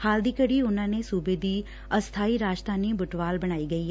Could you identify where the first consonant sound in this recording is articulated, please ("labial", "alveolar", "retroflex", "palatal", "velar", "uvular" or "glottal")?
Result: glottal